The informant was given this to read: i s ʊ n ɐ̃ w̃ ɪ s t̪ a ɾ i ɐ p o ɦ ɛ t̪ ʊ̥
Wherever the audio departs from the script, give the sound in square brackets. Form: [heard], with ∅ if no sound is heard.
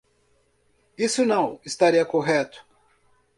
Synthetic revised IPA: i s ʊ n ɐ̃ w̃ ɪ s t̪ a ɾ i ɐ [k] o ɦ ɛ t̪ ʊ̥